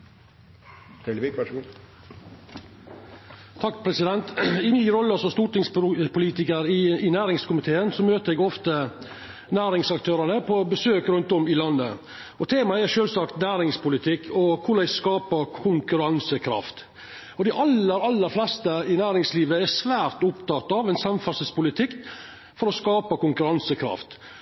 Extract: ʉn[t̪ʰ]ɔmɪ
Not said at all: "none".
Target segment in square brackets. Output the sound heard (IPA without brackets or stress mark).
t̪